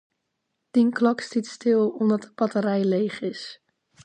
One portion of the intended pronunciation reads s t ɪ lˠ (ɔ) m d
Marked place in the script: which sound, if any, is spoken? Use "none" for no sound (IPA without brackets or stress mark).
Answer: ɔ